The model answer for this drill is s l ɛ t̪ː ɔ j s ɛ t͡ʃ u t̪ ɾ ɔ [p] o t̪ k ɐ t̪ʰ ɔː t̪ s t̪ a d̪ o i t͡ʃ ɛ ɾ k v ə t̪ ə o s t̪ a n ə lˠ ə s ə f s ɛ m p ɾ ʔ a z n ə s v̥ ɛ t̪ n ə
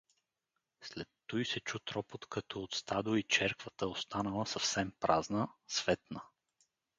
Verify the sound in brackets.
correct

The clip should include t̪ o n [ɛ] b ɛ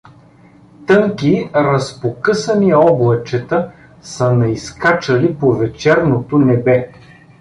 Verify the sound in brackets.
correct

